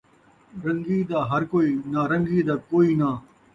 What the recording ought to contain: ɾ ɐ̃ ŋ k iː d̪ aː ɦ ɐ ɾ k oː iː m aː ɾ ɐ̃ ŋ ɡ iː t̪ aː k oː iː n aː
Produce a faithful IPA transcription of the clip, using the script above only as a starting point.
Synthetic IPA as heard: ɾ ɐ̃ ŋ ɡ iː d̪ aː ɦ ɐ ɾ k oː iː n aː ɾ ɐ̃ ŋ ɡ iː d̪ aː k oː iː n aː